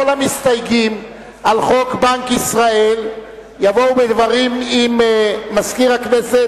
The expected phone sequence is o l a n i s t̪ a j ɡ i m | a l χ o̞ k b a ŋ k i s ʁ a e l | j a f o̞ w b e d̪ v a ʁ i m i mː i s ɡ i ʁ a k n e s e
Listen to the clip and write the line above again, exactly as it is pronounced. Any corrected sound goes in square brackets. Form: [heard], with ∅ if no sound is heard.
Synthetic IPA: o l a [m] i s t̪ a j ɡ i m | a l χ o̞ k b a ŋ k i s ʁ a e l | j a [v] o̞ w b e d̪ v a ʁ i m i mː [a] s [k] i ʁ a k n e s e